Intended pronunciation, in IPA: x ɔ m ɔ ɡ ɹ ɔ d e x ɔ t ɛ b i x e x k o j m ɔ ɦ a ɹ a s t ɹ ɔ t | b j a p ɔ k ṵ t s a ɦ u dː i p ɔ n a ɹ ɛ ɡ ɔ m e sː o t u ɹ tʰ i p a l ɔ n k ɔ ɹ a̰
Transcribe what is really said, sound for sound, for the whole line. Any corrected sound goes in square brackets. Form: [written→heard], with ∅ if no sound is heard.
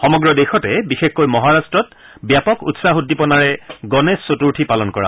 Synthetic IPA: x ɔ m ɔ ɡ ɹ ɔ d e x ɔ t ɛ b i x e x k o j m ɔ ɦ a ɹ a s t ɹ ɔ t | b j a p ɔ k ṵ t s a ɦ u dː i p ɔ n a ɹ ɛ ɡ ɔ [m→n] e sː o t u ɹ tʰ i p a l ɔ n k ɔ ɹ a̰